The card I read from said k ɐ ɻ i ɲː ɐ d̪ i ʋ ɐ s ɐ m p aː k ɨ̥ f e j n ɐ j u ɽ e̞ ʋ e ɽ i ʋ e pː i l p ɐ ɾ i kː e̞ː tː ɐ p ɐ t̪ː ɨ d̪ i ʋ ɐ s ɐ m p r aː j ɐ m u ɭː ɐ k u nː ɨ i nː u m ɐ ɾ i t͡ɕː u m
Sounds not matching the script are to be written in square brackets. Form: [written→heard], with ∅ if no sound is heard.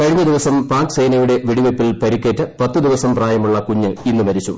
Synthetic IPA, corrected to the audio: k ɐ ɻ i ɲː ɐ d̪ i ʋ ɐ s ɐ m p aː k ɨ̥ [f→s] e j n ɐ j u ɽ e̞ ʋ [e→i] ɽ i ʋ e pː i l p ɐ ɾ i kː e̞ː tː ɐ p ɐ t̪ː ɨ d̪ i ʋ ɐ s ɐ m p r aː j ɐ m u ɭː ɐ k u [nː→ɲː] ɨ i nː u m ɐ ɾ i t͡ɕː u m